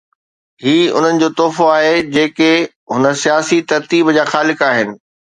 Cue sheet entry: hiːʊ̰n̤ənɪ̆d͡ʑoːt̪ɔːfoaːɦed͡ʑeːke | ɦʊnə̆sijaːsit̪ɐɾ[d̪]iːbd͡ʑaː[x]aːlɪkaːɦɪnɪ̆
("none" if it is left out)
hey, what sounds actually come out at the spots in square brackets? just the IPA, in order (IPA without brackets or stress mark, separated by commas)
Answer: t̪, x